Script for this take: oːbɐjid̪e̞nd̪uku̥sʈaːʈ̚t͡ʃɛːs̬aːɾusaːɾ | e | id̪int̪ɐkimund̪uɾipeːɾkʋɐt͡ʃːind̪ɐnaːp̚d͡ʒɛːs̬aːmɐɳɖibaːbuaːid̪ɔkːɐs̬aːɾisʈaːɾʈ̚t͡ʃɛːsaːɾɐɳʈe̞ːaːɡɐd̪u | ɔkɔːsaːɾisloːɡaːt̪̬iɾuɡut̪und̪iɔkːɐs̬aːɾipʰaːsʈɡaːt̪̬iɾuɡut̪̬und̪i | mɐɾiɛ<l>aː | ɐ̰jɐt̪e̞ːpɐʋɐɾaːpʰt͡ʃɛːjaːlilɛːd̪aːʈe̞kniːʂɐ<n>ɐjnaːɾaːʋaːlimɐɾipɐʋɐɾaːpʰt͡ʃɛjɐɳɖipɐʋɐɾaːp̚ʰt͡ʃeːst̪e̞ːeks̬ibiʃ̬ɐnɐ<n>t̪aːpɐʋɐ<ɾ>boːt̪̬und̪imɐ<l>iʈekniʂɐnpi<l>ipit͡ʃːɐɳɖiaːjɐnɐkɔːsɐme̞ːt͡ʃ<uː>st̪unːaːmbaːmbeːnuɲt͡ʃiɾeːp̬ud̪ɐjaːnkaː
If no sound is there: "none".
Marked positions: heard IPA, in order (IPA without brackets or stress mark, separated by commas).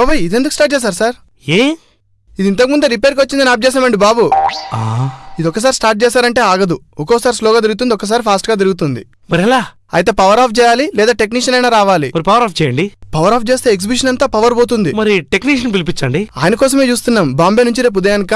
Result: l, n, n, ɾ, ɾ, l, uː